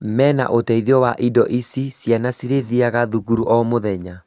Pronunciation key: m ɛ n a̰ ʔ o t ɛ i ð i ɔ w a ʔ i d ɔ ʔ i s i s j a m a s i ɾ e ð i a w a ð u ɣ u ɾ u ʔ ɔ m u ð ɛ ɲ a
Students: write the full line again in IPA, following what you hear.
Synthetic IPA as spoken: m ɛ n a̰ ʔ o t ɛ i ð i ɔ w a ʔ i d ɔ ʔ i s i s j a n a s i ɾ e ð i a ɣ a ð u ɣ u ɾ u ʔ ɔ m o ð ɛ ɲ a